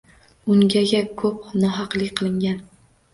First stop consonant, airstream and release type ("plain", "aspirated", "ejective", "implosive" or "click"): plain